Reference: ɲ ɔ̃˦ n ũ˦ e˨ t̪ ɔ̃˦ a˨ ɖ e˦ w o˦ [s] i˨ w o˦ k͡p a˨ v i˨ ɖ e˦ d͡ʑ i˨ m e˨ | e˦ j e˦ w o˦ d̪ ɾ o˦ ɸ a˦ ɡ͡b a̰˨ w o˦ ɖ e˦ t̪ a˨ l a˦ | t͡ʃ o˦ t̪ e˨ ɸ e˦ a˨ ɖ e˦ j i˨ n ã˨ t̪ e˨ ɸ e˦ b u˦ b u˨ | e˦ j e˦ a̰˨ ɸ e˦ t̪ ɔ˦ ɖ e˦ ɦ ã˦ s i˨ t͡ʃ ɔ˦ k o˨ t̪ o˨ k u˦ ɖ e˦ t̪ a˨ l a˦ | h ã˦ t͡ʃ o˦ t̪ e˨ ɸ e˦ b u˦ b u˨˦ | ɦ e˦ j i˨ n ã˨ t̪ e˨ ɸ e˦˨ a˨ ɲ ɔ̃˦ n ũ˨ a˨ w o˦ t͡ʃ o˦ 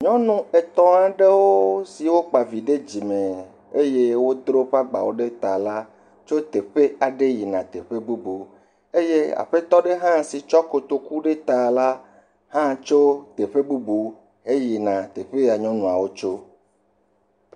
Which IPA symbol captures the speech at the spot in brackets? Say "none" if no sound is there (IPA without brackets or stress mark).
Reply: s